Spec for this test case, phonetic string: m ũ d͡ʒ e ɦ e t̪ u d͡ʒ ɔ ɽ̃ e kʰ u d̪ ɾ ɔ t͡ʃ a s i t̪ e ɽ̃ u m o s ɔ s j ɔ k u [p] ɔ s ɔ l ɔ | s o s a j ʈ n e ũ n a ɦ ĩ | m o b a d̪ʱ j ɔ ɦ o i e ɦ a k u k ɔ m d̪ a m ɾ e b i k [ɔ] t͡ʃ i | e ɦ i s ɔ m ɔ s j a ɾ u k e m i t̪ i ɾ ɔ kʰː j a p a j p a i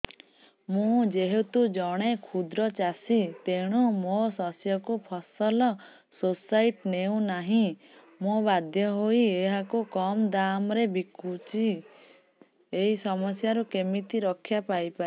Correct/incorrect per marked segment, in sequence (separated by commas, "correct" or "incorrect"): incorrect, incorrect